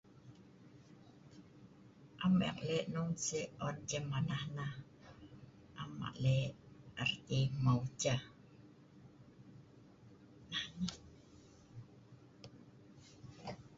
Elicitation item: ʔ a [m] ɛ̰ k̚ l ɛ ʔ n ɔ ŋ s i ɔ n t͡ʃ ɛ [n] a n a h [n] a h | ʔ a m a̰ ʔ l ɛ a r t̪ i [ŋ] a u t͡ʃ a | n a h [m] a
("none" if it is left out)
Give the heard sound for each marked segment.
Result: m, m, n, m, n

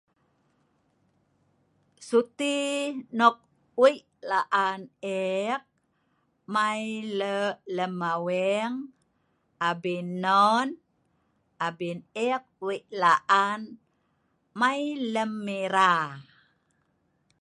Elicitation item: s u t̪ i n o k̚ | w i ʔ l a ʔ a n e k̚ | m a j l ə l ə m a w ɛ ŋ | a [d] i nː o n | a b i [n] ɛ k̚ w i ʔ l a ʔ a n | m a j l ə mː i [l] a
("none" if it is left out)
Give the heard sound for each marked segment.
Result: b, n, ɾ

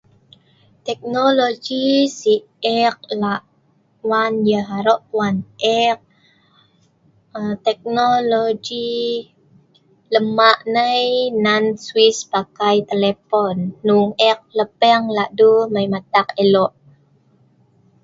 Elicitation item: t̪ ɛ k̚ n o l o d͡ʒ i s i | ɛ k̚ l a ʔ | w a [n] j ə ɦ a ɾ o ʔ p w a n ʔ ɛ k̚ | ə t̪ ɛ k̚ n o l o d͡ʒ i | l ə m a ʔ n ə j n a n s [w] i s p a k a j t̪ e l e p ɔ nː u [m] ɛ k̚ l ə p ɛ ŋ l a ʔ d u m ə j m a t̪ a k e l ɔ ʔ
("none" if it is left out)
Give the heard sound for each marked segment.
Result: n, w, ŋ

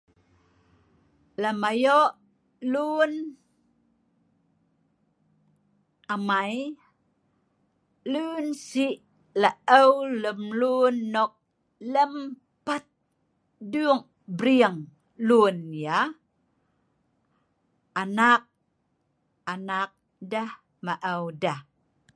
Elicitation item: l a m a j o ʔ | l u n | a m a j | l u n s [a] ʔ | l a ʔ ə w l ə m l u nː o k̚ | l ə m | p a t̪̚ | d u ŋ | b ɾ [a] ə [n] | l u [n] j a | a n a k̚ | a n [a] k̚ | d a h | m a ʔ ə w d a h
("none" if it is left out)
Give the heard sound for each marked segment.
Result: i, i, ŋ, n, a

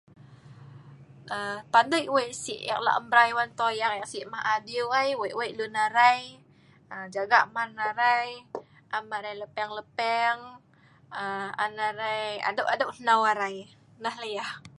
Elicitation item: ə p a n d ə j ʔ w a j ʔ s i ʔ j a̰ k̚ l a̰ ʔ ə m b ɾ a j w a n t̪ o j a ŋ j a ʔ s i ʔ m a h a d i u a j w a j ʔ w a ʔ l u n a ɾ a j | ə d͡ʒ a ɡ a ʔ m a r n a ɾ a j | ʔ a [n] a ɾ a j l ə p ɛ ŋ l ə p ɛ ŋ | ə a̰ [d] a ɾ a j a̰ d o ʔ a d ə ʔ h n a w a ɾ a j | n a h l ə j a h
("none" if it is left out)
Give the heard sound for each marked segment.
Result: m, n

